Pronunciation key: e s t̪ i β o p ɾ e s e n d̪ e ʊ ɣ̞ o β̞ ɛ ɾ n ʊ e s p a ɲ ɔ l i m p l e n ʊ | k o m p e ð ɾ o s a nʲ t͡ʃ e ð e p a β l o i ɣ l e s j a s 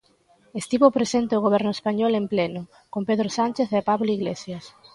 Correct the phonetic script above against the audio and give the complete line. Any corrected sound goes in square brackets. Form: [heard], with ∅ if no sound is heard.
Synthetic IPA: e s t̪ i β o p ɾ e s e n [t̪] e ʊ ɣ̞ o β̞ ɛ ɾ n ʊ e s p a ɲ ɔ l [e] m p l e n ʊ | k o m p e ð ɾ o s a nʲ t͡ʃ e [θ] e p a β l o i ɣ l e s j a s